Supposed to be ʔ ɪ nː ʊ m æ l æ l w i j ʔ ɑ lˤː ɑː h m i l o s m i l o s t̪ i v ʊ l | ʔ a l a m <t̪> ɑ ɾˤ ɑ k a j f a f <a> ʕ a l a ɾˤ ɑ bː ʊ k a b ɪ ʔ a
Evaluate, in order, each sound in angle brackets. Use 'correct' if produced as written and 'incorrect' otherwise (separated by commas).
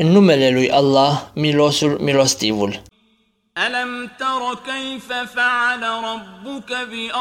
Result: correct, correct